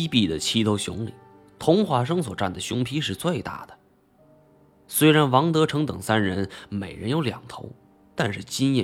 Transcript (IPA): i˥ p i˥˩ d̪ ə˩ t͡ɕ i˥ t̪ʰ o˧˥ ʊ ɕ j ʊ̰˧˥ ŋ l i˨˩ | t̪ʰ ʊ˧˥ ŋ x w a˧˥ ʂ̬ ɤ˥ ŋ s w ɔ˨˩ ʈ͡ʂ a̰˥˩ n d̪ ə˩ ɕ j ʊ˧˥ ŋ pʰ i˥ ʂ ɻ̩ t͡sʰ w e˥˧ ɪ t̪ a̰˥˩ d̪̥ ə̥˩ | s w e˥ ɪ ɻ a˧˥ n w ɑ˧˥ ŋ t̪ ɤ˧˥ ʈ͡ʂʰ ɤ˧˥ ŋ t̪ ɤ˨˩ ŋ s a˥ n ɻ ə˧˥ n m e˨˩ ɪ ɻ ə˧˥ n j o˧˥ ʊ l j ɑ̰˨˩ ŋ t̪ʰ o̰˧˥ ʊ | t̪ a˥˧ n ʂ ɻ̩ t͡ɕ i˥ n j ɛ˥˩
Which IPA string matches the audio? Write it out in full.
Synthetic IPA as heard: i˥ p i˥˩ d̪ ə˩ t͡ɕʰ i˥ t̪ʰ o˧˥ ʊ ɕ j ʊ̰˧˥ ŋ l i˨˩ | t̪ʰ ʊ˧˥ ŋ x w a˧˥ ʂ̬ ɤ˥ ŋ s w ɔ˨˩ ʈ͡ʂ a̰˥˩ n d̪ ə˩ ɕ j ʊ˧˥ ŋ pʰ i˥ ʂ ɻ̩ t͡s w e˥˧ ɪ t̪ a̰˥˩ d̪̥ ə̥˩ | s w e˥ ɪ ɻ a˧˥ n w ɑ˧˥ ŋ t̪ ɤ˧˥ ʈ͡ʂʰ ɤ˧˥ ŋ t̪ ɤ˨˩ ŋ s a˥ n ɻ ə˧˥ n m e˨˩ ɪ ɻ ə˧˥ n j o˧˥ ʊ l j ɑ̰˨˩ ŋ t̪ʰ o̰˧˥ ʊ | t̪ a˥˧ n ʂ ɻ̩ t͡ɕ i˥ n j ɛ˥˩